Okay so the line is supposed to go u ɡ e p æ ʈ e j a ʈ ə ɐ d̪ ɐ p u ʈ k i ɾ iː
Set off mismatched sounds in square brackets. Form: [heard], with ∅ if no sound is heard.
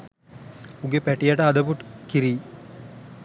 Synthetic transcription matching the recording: u ɡ e p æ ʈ [i] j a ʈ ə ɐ d̪ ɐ p u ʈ k i ɾ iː